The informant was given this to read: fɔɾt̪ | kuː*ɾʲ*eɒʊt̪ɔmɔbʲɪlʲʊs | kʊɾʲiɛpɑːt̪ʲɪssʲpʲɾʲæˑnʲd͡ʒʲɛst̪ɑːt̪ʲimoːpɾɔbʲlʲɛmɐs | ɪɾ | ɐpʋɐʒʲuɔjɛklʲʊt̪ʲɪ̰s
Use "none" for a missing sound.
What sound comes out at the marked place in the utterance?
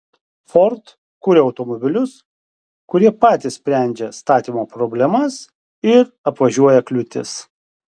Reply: ɾʲ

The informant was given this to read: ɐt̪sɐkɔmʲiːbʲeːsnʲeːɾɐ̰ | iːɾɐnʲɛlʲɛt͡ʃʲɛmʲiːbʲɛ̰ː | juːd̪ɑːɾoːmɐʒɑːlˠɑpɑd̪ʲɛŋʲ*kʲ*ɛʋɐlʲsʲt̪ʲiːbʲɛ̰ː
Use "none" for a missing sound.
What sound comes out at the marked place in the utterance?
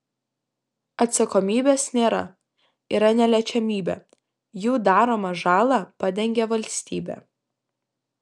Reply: ɡʲ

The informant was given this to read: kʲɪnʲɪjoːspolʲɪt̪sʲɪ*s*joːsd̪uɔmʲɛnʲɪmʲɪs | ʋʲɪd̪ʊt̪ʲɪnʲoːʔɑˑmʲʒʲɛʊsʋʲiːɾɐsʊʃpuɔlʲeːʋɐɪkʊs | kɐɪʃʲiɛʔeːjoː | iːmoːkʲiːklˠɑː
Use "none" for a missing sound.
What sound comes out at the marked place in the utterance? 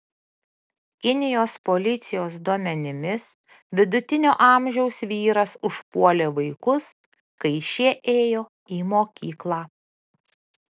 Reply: none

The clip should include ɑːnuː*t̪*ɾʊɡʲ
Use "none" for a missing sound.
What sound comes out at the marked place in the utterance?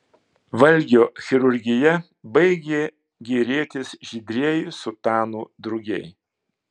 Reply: d̪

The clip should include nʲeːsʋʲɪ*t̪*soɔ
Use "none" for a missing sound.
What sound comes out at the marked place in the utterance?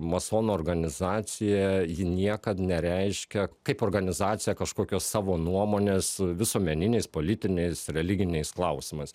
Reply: none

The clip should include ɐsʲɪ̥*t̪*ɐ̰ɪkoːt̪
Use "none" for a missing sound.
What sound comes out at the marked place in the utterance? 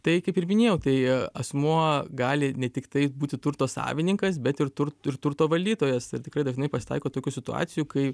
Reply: t̪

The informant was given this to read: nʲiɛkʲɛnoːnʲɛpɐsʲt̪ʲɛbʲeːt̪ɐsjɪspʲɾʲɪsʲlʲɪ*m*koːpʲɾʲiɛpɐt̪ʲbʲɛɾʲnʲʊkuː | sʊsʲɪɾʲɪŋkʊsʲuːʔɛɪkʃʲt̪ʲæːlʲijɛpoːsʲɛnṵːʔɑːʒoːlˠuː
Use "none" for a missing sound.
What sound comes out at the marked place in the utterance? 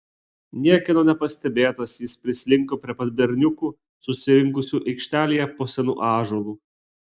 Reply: ŋ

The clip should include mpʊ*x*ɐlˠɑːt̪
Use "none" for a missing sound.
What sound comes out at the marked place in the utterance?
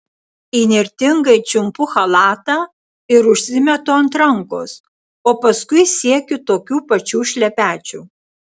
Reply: x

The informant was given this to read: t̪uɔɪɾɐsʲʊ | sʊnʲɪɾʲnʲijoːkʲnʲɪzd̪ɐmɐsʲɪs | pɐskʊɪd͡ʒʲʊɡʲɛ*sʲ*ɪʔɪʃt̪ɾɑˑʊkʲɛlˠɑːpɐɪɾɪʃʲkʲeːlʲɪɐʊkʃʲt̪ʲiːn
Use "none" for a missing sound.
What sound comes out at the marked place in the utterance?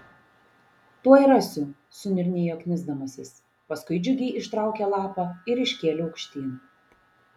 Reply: none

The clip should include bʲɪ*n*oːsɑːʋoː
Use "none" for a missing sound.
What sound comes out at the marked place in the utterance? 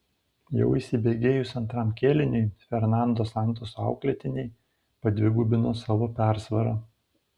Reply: n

